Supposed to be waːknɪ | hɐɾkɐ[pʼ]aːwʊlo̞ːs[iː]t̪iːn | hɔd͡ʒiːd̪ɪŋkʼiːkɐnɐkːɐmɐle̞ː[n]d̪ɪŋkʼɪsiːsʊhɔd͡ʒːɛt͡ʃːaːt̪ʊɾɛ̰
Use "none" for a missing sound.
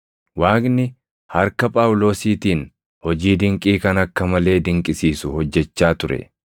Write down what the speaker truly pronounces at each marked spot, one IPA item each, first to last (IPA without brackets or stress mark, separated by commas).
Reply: pʼ, iː, none